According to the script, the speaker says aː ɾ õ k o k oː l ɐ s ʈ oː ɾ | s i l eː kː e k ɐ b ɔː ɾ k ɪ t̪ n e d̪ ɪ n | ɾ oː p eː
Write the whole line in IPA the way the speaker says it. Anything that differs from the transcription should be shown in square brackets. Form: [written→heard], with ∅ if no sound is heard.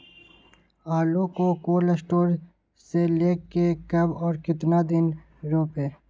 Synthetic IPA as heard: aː [ɾ→l] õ k o k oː l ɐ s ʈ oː ɾ | s [i→e] l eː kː e k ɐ b ɔː ɾ k ɪ t̪ n [e→a] d̪ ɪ n | ɾ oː p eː